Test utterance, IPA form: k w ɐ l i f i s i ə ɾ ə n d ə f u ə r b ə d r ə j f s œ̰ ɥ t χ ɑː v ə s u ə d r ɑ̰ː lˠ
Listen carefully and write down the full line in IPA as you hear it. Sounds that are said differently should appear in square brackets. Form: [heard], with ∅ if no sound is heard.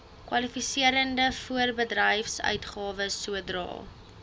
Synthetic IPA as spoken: k w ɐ l i f i s i ə ɾ ə n d ə f u ə r b ə d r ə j f s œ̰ ɥ t χ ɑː v ə s u ə d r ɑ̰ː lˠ